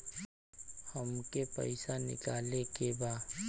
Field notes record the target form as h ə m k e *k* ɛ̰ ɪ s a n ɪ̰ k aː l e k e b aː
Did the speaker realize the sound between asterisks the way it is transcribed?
no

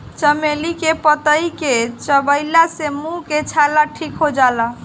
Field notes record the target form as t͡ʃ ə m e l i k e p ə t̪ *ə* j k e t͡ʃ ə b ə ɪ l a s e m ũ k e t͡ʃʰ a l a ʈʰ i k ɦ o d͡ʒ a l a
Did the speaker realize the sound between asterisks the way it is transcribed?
yes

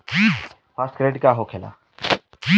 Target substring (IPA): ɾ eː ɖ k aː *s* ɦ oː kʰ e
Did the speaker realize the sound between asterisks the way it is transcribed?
no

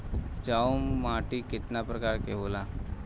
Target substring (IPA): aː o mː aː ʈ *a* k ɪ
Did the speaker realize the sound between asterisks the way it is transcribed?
no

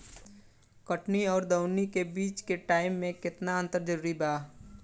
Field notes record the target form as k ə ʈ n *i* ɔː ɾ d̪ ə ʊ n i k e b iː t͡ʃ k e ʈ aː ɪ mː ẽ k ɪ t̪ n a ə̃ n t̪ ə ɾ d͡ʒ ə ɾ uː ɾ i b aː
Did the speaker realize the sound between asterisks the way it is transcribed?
yes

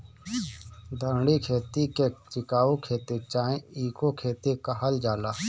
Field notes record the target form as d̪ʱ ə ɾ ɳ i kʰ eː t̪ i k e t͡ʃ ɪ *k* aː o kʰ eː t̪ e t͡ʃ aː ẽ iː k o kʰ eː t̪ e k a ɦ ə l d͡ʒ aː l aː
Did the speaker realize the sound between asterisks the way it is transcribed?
yes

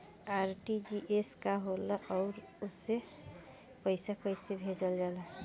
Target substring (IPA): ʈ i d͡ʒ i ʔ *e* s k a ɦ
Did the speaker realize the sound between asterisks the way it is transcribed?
yes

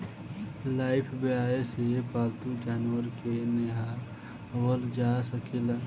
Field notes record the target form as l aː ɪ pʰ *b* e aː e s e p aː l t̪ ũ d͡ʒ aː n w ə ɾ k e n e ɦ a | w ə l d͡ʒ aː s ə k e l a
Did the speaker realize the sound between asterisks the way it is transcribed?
yes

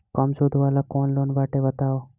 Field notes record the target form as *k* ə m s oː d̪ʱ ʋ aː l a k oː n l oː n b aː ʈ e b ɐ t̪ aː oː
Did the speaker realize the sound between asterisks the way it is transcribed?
yes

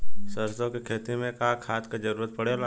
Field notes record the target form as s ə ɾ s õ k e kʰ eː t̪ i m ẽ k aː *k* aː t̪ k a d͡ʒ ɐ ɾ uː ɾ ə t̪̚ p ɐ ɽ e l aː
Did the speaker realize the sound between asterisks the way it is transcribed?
no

